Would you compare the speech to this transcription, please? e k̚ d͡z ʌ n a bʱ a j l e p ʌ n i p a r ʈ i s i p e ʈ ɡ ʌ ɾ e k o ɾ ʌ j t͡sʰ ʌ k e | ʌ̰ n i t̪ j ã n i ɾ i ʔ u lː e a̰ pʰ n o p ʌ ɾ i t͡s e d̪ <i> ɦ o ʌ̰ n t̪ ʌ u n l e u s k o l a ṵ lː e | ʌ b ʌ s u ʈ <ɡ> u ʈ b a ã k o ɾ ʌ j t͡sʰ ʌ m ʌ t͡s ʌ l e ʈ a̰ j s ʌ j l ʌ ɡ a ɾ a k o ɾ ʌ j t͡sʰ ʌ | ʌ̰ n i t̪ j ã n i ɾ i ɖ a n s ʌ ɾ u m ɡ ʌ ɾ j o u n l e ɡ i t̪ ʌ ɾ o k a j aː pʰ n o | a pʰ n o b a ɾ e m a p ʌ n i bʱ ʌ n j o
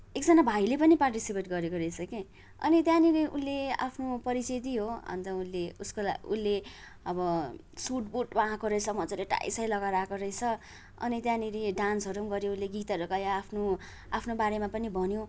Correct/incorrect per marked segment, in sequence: correct, incorrect: b

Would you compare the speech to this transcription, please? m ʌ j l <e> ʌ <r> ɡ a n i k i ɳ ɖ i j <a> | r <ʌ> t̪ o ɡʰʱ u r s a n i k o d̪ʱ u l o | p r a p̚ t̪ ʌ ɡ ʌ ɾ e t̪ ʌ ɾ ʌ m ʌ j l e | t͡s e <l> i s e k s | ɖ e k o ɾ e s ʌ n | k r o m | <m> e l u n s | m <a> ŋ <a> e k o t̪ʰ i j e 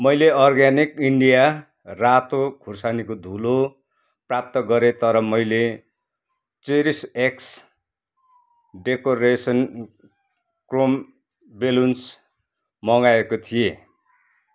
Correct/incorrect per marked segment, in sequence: correct, correct, correct, incorrect: a, incorrect: ɾ, incorrect: b, incorrect: ʌ, correct

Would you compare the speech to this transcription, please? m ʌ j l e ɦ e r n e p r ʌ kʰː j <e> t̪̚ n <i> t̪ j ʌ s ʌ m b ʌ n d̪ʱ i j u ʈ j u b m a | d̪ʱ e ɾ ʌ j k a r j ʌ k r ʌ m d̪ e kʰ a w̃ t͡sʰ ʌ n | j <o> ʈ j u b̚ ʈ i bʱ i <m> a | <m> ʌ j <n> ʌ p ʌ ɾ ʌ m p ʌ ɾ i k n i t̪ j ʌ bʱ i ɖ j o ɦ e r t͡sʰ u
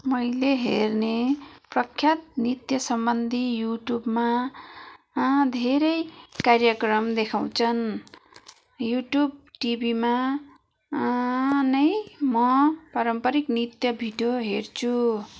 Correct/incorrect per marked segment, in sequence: incorrect: a, correct, incorrect: u, correct, incorrect: n, incorrect: m

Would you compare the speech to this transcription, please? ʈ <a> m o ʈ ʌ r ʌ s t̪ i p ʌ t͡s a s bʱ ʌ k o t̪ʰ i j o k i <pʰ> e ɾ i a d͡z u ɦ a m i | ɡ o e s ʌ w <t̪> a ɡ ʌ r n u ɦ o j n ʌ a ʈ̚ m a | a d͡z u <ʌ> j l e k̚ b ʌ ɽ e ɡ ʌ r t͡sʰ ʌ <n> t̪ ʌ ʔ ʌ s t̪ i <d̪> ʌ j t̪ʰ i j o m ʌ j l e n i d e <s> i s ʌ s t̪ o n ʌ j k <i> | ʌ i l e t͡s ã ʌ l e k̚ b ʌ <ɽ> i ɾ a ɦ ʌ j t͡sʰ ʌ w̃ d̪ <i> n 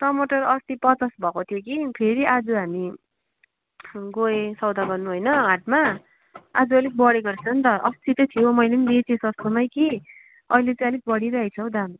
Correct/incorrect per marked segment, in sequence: incorrect: ʌ, correct, incorrect: d̪, correct, correct, incorrect: t̪, incorrect: t͡s, correct, correct, incorrect: a

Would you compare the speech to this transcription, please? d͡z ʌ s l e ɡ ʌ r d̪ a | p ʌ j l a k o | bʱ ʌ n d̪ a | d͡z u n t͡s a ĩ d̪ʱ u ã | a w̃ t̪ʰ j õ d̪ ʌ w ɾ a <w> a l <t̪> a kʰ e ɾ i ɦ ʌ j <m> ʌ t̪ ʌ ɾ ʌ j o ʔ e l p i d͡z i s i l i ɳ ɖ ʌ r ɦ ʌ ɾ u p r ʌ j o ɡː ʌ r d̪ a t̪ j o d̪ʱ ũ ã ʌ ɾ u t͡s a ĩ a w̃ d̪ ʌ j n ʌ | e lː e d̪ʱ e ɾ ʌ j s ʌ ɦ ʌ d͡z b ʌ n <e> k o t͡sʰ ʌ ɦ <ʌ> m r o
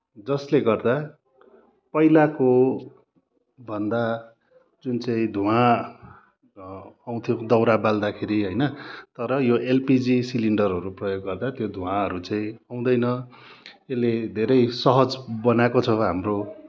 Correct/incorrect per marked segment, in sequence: incorrect: b, incorrect: d̪, incorrect: n, incorrect: a, incorrect: a

